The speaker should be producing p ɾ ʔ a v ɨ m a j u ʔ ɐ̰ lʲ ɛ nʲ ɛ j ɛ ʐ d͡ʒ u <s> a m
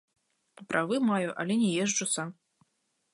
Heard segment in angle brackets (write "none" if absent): s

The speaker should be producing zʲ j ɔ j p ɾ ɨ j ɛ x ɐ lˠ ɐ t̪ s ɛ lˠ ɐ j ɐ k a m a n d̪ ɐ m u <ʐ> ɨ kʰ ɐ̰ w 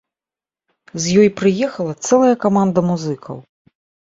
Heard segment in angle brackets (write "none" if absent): z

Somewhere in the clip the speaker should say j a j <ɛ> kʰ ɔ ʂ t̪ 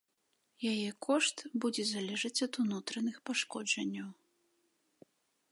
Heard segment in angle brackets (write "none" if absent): ɛ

